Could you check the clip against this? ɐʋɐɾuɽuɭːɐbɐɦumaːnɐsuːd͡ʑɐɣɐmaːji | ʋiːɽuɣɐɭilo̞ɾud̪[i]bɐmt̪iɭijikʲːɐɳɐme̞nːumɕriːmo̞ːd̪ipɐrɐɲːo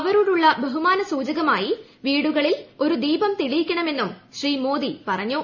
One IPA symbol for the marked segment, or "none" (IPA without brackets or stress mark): iː